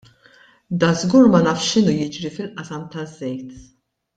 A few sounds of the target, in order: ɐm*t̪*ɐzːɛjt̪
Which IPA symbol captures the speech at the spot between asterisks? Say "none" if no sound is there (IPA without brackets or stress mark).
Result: t̪